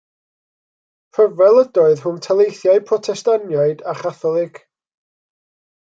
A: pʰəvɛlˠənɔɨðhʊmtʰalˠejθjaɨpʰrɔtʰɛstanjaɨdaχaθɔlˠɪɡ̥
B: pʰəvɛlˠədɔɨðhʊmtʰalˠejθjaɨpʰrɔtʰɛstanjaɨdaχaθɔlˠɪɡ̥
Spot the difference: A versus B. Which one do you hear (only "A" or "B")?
B